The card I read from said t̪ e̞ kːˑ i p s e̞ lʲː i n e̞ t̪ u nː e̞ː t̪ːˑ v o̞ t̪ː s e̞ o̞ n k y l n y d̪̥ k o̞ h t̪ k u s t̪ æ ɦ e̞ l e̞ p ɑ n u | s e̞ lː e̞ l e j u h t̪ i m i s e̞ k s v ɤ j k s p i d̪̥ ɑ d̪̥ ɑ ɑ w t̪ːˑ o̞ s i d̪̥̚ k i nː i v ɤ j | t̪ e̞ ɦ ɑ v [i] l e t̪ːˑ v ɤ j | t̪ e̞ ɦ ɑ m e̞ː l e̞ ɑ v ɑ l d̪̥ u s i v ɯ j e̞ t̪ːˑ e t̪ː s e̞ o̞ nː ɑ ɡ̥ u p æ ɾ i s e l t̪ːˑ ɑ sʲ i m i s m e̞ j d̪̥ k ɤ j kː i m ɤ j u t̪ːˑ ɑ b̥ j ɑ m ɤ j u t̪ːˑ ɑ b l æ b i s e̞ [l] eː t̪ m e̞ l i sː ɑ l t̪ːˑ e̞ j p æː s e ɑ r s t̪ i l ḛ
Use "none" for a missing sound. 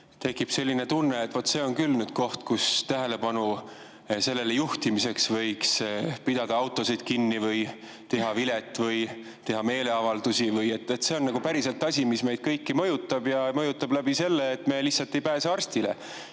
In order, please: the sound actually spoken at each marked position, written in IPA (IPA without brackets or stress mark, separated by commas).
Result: i, lː